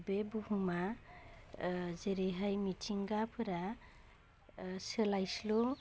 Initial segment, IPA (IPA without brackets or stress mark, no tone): b